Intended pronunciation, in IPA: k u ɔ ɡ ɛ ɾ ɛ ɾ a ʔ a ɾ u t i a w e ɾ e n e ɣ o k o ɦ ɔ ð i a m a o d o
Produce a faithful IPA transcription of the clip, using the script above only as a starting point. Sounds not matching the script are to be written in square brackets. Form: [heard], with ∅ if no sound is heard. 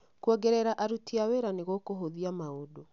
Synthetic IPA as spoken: k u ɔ ɡ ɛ ɾ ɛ ɾ a ʔ a ɾ u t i a w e ɾ [a] n e ɣ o k o ɦ [o] ð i a m a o d o